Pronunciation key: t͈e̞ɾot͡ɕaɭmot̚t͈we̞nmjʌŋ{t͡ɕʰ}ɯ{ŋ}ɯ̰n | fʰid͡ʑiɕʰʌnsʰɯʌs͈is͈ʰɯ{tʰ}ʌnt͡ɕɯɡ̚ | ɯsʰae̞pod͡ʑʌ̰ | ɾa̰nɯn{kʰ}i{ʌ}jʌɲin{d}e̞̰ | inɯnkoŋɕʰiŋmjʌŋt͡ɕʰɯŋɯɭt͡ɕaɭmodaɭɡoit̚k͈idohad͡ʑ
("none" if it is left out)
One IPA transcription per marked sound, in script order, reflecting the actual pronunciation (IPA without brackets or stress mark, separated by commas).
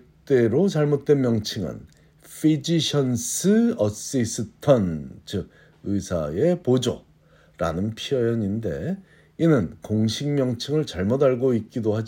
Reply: t͡ɕʰ, ŋ, tʰ, pʰ, ʌ, d